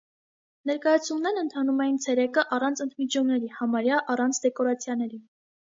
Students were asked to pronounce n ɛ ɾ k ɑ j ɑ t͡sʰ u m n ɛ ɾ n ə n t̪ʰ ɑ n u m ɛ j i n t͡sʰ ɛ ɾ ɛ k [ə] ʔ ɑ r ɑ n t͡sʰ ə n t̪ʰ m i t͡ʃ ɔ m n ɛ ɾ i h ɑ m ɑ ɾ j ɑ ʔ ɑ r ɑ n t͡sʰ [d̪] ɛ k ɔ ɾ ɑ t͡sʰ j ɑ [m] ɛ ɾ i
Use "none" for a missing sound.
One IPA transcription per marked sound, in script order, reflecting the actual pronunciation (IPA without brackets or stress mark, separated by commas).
ə, d̪, n